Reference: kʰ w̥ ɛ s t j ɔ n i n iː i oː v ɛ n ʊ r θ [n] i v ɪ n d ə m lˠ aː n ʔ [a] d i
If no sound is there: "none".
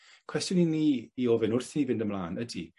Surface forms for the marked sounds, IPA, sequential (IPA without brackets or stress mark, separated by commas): n, ə